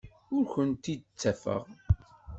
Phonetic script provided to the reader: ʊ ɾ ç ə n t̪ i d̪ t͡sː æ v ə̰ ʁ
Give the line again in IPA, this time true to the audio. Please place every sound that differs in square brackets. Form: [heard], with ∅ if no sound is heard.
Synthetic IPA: ʊ ɾ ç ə n t̪ i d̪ t͡sː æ [f] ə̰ ʁ